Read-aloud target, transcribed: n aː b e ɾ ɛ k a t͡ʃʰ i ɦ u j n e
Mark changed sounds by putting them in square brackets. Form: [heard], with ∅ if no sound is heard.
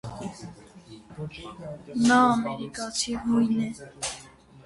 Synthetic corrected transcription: n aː [m] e ɾ [i] k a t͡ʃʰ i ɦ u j n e